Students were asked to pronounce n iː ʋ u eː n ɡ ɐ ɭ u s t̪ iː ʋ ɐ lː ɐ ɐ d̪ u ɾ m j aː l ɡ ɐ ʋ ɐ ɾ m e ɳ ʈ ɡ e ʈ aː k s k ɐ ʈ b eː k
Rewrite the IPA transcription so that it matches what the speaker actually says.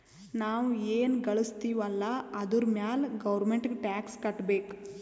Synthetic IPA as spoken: n aː ʋ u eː n ɡ ɐ ɭ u s t̪ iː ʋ ɐ lː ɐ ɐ d̪ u ɾ m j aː l ɡ ɐ ʋ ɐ ɾ m e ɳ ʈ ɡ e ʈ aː k s k ɐ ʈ b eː k